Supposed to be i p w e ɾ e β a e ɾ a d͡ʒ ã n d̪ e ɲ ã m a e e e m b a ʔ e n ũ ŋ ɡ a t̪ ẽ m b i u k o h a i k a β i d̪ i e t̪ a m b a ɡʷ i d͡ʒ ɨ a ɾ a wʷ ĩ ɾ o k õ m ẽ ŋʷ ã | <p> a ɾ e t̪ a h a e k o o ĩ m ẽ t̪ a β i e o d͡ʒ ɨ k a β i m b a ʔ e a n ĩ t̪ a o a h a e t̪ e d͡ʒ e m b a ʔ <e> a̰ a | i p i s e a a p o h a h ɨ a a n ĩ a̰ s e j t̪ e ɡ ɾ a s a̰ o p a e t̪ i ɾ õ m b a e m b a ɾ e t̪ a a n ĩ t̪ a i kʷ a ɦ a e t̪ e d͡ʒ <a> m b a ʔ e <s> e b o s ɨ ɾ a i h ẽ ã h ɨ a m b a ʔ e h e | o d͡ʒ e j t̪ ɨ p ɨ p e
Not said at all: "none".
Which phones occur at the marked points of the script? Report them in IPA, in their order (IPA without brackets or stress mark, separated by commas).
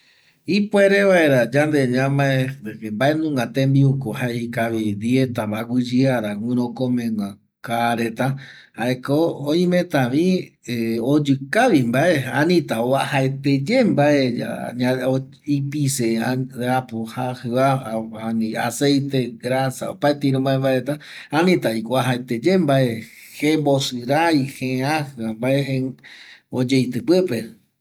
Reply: k, e, e, h